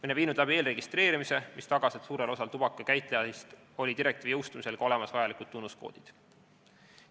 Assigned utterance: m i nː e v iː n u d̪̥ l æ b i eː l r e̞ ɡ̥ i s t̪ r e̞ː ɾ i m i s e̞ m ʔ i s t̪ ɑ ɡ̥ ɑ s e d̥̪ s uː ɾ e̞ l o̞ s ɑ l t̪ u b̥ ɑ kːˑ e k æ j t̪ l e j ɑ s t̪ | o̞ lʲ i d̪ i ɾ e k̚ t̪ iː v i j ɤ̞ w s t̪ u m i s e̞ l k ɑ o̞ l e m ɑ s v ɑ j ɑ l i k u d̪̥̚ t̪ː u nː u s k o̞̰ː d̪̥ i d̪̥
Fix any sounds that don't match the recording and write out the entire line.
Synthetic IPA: m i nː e v iː n u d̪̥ l æ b i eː l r e̞ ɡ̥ i s t̪ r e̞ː ɾ i m i s e̞ m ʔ i s t̪ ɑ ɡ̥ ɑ s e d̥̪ s uː ɾ e̞ l o̞ s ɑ l t̪ u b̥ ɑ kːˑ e k æ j t̪ l e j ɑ s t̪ | o̞ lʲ i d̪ i ɾ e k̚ t̪ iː v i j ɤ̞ w s t̪ u m i s e̞ l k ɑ o̞ l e m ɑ s v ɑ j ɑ l i k u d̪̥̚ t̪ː u nː u s k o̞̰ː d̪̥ i d̪̥

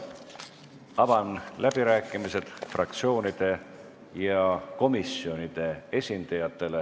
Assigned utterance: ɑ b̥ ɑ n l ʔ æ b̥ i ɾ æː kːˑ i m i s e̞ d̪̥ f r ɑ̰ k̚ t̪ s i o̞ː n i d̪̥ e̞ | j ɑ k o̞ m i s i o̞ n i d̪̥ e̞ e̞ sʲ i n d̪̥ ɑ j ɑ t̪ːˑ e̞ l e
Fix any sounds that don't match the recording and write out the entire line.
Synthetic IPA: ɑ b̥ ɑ n l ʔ æ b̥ i ɾ æː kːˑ i m i s e̞ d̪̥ f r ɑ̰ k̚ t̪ s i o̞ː n i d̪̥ e̞ | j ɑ k o̞ m i s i o̞ n i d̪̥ e̞ e̞ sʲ i n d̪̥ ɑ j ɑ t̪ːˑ e̞ l e

